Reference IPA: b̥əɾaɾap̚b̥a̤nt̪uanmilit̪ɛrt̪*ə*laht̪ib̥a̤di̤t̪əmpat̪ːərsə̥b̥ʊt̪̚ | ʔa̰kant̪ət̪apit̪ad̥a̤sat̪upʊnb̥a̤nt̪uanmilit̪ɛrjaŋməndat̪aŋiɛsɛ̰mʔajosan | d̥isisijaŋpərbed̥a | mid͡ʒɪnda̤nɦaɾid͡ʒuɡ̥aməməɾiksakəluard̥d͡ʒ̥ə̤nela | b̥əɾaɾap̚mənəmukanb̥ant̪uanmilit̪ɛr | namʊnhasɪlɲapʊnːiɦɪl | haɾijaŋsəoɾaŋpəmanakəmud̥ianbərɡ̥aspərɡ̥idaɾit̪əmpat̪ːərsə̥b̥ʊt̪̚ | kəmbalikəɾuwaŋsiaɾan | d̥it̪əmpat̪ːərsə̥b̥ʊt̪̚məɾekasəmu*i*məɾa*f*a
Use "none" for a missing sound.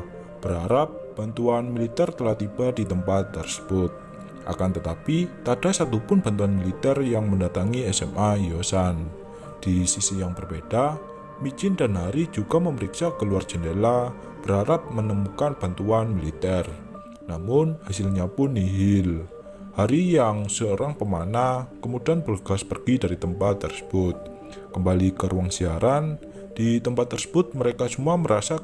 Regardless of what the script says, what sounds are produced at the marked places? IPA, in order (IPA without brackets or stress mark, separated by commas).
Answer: ə, a, s